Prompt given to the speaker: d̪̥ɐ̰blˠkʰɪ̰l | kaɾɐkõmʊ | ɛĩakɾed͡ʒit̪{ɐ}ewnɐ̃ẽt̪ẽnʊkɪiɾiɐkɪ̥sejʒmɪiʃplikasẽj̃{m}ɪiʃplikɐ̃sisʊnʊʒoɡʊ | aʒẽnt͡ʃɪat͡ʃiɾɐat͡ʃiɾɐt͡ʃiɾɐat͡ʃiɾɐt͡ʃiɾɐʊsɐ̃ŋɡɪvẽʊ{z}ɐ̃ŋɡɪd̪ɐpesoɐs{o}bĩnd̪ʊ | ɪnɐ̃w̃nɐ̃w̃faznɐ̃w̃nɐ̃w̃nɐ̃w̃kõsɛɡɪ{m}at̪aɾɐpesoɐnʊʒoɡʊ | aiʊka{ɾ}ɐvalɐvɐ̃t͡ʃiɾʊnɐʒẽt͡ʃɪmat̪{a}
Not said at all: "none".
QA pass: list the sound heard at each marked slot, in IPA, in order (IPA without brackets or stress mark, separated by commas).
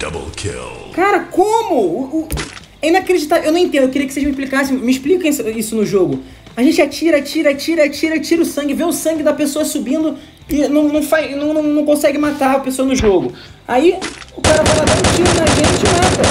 a, m, s, u, m, ɾ, ɐ